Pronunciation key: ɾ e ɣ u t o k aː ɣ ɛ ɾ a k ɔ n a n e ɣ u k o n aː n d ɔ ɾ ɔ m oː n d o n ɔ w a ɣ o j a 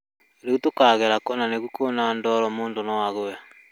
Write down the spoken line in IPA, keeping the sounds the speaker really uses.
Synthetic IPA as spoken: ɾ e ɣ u t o k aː ɣ ɛ ɾ a k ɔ n a n e ɣ u k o n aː n d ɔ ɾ ɔ m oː n d o n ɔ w a ɣ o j a